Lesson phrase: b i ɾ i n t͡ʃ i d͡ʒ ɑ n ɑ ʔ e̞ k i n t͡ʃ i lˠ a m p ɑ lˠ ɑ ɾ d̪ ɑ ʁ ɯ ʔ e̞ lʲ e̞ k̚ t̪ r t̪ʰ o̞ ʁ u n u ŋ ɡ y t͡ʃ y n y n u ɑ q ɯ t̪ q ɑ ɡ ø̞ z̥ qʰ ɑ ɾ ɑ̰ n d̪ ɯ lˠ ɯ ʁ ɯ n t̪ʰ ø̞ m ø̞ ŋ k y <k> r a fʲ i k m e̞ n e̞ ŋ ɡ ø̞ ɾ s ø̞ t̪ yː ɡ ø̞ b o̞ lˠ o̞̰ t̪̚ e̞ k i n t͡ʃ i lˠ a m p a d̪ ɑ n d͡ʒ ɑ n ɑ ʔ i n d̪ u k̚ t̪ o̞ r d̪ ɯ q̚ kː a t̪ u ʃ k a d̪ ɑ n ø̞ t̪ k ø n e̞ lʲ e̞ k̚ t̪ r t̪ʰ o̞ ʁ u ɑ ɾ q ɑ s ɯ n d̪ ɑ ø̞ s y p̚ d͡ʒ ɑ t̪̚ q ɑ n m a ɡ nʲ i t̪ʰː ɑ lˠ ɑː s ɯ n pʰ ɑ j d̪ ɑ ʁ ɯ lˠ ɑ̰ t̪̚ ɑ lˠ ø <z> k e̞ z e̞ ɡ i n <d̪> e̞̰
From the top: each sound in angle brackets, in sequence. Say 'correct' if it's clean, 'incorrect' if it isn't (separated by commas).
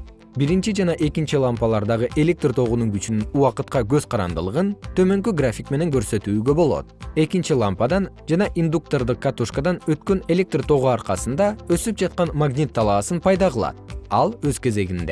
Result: incorrect, correct, correct